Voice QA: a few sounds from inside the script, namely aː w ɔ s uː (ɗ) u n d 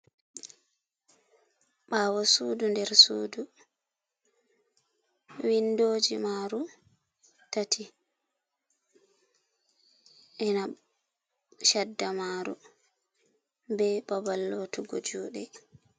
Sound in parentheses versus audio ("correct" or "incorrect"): incorrect